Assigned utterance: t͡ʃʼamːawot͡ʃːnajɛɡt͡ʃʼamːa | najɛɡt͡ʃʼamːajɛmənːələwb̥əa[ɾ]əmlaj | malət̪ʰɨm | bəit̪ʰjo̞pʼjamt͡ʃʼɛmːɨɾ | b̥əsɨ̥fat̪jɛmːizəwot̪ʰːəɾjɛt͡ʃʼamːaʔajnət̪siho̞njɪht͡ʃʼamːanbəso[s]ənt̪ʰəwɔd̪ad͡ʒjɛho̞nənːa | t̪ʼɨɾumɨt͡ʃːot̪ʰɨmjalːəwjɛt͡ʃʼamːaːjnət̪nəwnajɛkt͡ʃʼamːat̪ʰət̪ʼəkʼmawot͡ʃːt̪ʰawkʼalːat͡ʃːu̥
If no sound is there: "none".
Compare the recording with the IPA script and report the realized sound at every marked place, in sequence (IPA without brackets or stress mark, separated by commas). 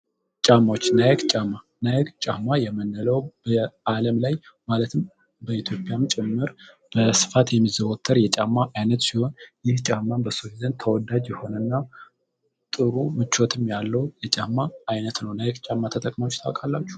l, z